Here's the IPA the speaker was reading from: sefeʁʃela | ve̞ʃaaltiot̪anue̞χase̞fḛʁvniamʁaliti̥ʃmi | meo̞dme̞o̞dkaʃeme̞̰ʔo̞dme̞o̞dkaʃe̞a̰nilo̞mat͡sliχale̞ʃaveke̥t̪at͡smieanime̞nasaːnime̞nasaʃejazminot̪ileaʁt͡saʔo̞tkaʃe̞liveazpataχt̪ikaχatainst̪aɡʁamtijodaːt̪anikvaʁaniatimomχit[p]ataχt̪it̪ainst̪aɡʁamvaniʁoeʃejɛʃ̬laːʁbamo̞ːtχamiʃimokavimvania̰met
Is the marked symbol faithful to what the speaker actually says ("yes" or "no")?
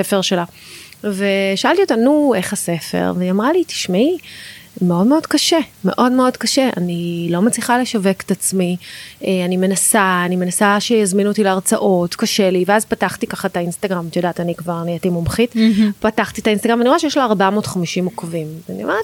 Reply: yes